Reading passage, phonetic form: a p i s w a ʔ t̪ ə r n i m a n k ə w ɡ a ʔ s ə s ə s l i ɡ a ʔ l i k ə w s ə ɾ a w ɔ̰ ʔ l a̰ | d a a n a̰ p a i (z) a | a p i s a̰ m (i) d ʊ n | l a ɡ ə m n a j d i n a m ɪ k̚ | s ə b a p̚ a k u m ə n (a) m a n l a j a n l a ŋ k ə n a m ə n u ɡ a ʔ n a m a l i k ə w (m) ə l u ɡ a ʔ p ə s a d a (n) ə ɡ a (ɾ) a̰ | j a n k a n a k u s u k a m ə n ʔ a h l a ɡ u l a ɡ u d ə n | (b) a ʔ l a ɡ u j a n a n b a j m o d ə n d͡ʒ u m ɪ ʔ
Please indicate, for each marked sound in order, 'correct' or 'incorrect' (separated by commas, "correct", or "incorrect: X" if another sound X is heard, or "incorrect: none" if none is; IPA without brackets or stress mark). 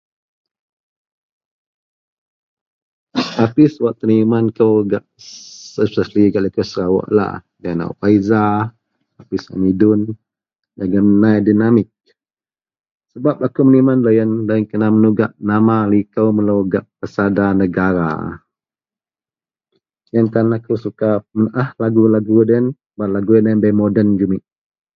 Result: correct, correct, incorrect: i, correct, correct, correct, correct